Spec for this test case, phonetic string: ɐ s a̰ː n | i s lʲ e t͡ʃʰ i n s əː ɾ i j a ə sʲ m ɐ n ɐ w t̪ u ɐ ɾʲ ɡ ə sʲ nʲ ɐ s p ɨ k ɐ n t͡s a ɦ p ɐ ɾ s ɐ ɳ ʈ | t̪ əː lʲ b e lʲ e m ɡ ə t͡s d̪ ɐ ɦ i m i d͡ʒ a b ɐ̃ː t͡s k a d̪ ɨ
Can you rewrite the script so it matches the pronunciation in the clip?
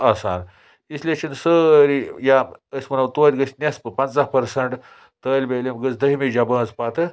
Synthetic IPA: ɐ s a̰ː n | i s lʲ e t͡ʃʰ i n s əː ɾ i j a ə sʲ m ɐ n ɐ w t̪ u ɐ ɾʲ ɡ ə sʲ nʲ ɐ s p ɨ p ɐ n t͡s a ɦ p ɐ ɾ s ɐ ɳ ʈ | t̪ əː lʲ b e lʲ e m ɡ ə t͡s d̪ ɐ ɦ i m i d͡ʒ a b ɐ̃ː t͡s p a t̪ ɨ